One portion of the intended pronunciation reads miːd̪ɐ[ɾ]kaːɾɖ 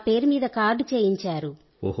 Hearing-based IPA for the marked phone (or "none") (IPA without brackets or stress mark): none